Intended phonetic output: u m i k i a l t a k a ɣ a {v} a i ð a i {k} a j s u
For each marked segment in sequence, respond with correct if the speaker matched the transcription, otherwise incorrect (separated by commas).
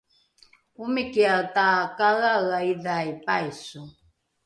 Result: incorrect, incorrect